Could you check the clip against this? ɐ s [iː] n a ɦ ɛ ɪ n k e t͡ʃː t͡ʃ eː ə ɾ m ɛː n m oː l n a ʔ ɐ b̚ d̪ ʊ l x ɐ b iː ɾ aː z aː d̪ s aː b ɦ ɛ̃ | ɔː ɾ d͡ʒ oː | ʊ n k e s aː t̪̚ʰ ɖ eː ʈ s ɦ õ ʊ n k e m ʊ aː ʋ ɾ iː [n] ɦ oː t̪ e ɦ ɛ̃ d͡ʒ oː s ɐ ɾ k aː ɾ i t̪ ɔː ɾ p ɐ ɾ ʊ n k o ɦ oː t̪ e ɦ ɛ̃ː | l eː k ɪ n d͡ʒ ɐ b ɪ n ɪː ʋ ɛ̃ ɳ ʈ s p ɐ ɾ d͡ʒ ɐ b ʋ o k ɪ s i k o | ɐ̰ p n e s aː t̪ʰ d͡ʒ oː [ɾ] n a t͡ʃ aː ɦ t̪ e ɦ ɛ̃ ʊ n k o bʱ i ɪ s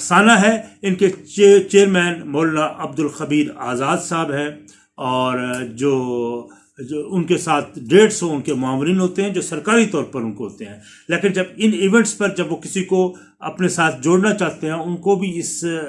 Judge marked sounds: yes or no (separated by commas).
no, yes, no